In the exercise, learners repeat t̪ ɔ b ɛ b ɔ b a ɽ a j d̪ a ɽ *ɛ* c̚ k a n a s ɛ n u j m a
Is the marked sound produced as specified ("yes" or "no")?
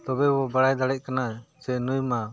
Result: yes